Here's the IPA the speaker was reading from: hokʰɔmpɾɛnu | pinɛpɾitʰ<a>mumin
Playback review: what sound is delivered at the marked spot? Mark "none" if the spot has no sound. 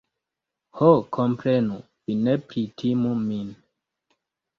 i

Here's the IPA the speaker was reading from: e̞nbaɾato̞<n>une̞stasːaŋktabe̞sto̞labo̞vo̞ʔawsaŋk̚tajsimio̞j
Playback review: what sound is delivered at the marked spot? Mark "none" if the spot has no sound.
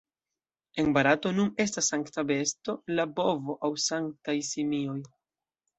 n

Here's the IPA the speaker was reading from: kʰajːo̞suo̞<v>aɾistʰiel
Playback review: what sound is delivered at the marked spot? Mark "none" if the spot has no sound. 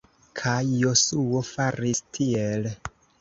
f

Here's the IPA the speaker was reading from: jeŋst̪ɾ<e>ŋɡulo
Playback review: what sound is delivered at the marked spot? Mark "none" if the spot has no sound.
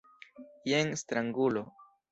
a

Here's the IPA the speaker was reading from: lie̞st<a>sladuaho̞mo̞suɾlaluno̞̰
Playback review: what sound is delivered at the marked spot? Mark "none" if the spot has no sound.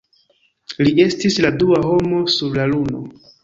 i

